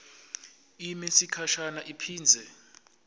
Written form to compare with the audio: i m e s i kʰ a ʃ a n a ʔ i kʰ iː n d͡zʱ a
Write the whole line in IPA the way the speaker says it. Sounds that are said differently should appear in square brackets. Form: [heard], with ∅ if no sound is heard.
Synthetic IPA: i m e s i kʰ a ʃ a n a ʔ i [pʰ] iː n d͡zʱ [ɛ]

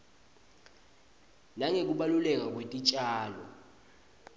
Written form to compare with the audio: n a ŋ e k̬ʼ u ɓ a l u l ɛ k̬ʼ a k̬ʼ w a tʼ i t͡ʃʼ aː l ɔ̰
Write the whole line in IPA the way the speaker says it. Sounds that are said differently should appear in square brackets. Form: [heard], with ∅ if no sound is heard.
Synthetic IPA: n a ŋ e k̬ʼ u ɓ a l u l ɛ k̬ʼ a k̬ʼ w [e] tʼ i t͡ʃʼ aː l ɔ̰

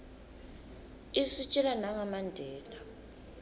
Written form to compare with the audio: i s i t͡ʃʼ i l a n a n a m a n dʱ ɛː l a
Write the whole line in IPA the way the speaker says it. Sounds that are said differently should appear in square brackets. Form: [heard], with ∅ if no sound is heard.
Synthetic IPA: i s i t͡ʃʼ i l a n a [ŋ] a m a n dʱ ɛː l a

